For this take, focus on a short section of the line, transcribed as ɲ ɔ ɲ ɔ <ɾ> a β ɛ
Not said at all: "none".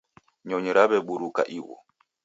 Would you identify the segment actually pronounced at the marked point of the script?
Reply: ɾ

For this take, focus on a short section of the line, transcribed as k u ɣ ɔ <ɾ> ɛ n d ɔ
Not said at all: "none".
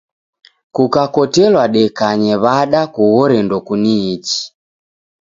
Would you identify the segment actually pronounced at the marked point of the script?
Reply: ɾ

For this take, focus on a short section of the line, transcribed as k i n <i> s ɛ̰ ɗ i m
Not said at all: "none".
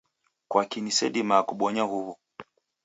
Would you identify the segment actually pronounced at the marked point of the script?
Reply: i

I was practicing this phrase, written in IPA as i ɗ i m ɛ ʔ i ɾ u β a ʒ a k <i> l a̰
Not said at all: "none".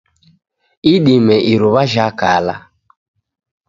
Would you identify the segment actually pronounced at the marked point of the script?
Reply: a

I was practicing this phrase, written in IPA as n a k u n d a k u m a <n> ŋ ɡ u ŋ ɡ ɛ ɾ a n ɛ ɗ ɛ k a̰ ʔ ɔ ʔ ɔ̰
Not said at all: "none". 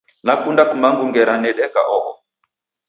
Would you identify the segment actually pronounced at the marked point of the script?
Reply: none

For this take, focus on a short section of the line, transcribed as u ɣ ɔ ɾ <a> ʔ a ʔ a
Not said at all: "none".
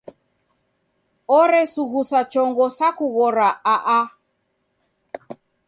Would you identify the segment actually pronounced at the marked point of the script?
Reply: a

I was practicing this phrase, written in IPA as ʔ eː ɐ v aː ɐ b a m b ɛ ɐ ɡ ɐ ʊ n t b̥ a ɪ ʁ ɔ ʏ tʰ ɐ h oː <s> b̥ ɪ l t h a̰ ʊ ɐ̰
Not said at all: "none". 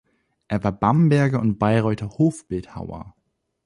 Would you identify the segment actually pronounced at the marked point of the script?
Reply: f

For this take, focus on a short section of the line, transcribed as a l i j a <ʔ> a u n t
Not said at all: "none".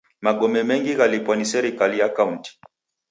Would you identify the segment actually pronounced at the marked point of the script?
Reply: k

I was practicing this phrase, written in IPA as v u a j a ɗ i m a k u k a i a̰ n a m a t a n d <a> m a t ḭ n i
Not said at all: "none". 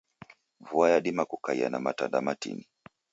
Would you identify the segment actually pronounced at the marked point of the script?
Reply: a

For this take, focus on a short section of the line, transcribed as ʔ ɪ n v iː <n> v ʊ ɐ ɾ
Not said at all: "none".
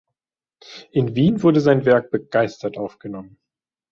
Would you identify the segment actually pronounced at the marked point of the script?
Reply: n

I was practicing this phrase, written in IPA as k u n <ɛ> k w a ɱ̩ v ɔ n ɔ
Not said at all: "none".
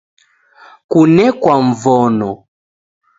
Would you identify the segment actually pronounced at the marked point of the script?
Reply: ɛ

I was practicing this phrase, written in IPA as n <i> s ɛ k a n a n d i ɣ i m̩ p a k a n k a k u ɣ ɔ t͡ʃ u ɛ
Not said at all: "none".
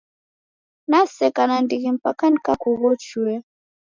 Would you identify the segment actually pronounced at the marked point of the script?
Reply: a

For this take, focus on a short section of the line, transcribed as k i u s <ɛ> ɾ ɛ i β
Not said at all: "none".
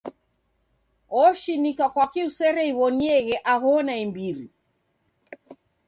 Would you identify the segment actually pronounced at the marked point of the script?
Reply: ɛ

